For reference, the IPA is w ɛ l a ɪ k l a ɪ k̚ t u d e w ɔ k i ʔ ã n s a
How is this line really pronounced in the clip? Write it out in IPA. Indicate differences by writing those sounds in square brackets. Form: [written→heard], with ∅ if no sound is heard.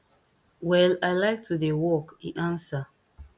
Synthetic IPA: w ɛ l a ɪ [k→∅] l a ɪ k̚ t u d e w ɔ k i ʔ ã n s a